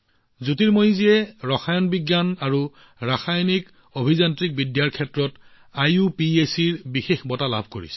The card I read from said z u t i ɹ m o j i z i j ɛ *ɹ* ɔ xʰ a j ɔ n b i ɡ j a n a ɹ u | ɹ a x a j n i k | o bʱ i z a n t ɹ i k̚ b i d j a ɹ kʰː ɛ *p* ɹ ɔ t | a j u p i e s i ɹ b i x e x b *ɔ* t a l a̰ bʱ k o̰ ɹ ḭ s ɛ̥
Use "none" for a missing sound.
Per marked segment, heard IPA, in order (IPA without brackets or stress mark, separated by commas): ɹ, t, ɔ